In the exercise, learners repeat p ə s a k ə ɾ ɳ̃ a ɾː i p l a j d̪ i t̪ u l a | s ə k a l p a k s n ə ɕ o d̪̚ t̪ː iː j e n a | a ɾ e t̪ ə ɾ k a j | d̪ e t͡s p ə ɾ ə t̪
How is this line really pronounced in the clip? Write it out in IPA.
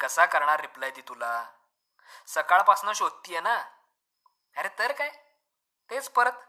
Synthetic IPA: k ə s a k ə ɾ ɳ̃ a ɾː i p l a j d̪ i t̪ u l a | s ə k a ɭ p a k s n ə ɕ o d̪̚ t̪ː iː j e n a | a ɾ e t̪ ə ɾ k a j | t̪ e t͡s p ə ɾ ə t̪